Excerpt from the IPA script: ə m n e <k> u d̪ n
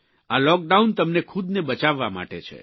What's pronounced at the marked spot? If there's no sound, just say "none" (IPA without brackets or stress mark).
kʰ